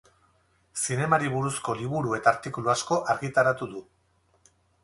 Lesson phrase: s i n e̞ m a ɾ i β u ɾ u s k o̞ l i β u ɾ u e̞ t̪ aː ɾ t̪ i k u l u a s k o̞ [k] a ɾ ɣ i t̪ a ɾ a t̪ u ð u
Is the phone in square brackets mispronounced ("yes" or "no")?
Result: yes